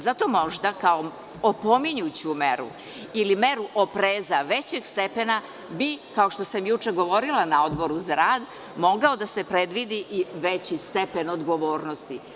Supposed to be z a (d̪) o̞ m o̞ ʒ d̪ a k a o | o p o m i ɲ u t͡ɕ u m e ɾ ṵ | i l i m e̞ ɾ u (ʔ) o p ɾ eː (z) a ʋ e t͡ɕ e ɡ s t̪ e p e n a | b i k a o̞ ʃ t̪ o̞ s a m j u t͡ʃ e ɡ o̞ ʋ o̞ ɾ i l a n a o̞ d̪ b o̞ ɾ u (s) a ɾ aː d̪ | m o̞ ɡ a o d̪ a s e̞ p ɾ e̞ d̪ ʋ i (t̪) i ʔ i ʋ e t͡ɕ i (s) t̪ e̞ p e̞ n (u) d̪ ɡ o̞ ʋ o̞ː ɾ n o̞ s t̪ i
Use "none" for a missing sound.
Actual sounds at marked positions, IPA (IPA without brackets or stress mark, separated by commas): t̪, ʔ, z, z, d̪, s, o